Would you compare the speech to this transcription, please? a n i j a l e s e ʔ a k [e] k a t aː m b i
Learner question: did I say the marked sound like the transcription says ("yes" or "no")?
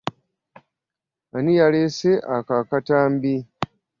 no